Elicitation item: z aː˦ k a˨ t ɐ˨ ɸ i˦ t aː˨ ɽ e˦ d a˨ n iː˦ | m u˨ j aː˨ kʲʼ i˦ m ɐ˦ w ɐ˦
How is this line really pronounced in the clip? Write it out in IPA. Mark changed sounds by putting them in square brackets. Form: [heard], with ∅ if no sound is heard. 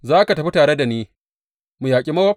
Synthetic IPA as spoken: z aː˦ k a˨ t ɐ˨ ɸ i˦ t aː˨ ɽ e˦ d a˨ n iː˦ | m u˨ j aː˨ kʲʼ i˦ m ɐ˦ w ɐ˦